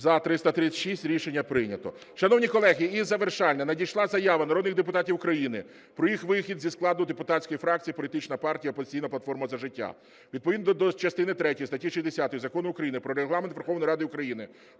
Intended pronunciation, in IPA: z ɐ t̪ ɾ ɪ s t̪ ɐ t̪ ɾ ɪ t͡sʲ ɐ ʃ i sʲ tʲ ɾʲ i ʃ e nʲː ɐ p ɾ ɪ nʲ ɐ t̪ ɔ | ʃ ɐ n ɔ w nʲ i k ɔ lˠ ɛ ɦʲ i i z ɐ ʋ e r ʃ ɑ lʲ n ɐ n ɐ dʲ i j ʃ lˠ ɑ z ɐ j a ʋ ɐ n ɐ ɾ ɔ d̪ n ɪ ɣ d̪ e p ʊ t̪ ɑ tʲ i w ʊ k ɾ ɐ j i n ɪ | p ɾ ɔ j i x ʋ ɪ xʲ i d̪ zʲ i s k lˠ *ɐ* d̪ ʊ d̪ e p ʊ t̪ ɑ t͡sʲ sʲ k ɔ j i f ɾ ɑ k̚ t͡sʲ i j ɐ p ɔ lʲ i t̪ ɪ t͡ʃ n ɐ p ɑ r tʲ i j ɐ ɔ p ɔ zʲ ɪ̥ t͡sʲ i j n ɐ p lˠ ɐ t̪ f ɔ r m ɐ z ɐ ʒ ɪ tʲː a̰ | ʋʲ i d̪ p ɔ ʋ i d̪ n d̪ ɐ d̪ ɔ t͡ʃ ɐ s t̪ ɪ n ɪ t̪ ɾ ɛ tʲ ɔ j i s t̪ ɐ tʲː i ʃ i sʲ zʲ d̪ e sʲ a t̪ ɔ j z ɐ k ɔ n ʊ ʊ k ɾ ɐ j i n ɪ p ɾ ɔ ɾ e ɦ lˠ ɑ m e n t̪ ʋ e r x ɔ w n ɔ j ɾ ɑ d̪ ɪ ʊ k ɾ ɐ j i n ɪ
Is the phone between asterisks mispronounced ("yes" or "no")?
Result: yes